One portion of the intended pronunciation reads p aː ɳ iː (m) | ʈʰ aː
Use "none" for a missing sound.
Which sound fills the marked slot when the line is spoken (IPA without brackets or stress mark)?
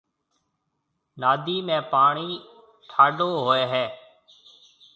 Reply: none